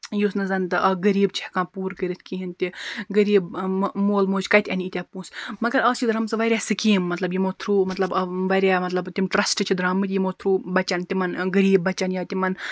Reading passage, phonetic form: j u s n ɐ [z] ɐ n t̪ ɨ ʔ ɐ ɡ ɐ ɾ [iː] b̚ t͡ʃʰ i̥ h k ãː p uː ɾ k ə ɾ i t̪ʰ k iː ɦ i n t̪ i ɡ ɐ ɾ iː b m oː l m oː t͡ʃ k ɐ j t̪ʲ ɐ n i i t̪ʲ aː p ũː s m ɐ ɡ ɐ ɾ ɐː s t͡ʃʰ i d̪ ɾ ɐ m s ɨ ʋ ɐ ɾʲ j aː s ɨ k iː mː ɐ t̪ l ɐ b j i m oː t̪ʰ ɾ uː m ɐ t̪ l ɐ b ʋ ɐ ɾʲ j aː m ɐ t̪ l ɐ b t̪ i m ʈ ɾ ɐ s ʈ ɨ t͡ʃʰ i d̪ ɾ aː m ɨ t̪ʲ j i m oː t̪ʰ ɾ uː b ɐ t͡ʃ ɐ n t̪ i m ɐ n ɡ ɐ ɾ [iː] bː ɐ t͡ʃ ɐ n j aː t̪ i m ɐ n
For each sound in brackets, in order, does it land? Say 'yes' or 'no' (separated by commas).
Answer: yes, yes, yes